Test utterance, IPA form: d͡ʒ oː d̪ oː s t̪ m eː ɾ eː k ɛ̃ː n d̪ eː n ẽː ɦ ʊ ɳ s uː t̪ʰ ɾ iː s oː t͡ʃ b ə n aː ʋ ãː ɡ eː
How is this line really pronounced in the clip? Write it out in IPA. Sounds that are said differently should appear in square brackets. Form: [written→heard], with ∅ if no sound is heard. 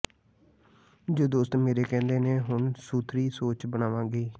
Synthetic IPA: d͡ʒ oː d̪ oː s t̪ m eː ɾ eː k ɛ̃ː n d̪ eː n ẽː ɦ ʊ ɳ s uː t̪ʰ ɾ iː s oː t͡ʃ b ə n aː ʋ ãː ɡ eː